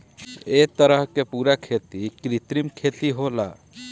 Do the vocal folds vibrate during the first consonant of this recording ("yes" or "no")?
no